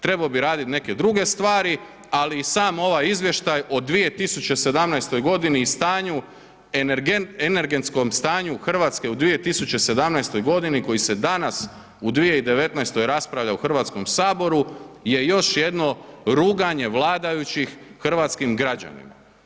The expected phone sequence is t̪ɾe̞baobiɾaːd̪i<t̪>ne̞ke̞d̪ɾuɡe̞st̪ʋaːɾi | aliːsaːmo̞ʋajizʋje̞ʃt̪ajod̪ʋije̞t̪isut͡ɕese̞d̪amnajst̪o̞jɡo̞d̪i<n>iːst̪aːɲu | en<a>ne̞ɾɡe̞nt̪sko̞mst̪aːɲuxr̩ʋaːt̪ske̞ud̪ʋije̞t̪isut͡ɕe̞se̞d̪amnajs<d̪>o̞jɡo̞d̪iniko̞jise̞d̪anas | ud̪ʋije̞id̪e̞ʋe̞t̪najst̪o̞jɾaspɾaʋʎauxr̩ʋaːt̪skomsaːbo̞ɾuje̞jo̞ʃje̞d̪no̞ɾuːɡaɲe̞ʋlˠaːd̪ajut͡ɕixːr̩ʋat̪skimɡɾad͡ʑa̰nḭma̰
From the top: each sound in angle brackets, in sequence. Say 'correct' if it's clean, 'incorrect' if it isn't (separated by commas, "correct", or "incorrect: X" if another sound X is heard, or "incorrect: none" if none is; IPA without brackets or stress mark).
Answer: correct, correct, incorrect: e, incorrect: t̪